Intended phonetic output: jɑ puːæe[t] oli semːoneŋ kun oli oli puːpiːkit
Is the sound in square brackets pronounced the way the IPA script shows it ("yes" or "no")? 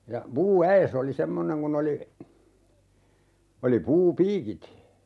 no